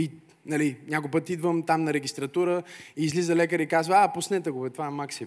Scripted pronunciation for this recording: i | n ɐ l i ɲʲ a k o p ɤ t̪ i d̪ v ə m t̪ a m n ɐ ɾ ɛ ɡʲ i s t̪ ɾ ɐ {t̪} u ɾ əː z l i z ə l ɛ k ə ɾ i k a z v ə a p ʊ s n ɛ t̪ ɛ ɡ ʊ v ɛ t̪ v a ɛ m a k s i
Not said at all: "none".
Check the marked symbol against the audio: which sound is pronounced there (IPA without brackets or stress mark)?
t̪